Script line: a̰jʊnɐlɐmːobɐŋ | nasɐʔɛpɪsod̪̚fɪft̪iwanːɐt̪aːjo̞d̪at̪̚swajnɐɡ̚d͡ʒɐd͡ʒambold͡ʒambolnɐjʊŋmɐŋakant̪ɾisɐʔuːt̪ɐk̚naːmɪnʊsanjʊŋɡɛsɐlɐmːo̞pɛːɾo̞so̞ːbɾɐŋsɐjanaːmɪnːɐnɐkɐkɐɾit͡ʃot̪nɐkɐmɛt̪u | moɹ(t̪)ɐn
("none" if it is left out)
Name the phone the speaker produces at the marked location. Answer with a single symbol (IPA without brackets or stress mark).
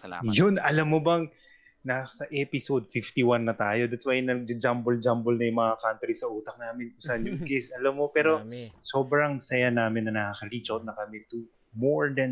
d̪